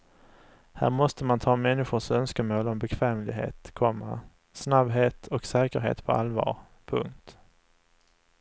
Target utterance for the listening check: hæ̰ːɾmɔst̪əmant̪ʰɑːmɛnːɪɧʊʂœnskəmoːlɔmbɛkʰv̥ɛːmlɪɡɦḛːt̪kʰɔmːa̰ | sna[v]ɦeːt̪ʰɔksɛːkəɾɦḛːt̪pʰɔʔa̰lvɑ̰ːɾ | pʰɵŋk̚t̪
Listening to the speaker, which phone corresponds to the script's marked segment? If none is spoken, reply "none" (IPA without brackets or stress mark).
b